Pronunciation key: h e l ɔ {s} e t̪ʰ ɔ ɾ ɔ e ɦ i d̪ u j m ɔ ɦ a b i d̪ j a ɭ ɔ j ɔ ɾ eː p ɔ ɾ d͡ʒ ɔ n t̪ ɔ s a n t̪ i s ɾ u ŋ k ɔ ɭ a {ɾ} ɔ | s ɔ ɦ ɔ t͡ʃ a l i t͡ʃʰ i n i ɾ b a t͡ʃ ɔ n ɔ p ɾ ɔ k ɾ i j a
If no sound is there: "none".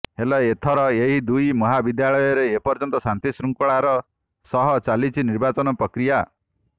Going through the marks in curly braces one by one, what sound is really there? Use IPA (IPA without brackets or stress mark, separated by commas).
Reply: none, ɾ